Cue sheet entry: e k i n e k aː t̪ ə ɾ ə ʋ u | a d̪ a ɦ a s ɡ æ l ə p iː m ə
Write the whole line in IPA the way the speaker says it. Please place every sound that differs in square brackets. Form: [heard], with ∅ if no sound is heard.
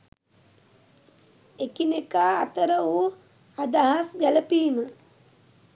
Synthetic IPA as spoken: e k i n e k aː t̪ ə ɾ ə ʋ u | a d̪ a ɦ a s ɡ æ l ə p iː m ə